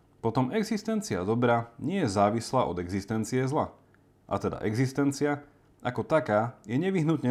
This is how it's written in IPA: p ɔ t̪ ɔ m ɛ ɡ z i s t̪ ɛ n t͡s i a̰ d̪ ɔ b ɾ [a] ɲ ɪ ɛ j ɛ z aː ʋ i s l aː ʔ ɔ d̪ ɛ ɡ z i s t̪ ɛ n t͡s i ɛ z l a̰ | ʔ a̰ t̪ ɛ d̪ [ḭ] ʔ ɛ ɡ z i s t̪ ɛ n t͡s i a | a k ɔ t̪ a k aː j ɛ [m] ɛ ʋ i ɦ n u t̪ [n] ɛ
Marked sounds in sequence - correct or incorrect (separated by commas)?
correct, incorrect, incorrect, incorrect